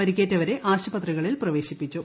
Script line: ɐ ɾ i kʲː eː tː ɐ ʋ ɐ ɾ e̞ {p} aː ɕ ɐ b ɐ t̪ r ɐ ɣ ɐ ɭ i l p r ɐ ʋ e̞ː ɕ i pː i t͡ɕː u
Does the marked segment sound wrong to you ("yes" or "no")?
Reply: yes